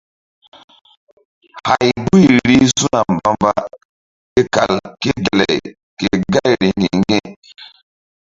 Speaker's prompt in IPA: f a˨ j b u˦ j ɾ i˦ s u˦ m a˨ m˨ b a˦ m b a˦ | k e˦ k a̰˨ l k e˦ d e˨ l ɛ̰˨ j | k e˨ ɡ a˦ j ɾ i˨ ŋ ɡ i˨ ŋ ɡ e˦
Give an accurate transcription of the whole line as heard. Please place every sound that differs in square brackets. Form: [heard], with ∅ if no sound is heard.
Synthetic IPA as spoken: [h] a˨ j b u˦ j ɾ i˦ s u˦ [n] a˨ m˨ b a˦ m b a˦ | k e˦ k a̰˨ l k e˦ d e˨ l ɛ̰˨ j | k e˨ ɡ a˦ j ɾ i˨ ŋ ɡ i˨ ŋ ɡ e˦